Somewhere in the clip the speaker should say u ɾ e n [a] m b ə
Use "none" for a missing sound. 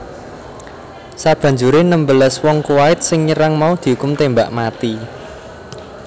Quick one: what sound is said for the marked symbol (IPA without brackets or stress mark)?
ə